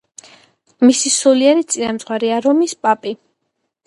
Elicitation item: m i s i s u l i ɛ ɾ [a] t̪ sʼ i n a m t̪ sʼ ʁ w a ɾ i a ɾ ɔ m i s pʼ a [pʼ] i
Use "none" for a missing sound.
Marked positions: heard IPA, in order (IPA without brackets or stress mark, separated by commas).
i, pʼ